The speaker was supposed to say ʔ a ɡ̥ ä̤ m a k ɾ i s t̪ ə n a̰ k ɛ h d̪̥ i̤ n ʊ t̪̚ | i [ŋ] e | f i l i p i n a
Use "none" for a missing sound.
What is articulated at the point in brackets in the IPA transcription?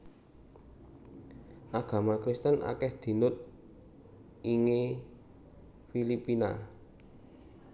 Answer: ŋ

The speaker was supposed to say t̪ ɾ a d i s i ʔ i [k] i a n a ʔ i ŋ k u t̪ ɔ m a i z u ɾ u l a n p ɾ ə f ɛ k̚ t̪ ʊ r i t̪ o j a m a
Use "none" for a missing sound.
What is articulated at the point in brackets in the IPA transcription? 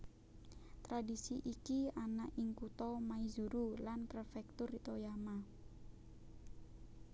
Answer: k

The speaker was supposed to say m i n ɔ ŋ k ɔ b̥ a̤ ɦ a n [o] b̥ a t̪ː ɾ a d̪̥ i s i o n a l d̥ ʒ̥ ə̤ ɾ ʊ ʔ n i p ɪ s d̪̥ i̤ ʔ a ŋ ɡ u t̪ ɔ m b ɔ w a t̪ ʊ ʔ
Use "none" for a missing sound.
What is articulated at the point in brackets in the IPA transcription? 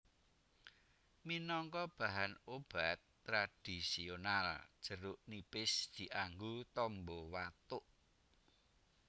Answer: o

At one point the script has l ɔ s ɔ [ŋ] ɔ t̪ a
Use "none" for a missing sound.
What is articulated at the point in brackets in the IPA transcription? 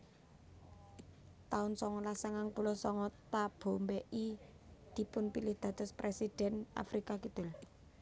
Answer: ŋ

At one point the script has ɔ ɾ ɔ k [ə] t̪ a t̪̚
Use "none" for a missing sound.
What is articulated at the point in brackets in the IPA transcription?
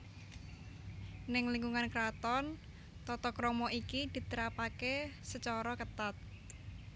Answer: ə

